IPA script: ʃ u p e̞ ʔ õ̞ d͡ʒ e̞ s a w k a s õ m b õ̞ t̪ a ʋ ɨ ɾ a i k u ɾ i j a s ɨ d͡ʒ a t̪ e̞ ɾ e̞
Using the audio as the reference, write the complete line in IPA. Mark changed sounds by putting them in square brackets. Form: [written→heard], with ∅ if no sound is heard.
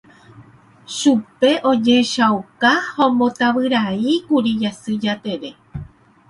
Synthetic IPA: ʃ u p e̞ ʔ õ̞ d͡ʒ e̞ [s→ʃ] a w k a [s→h] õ m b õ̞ t̪ a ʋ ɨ ɾ a i k u ɾ i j a s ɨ d͡ʒ a t̪ e̞ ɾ e̞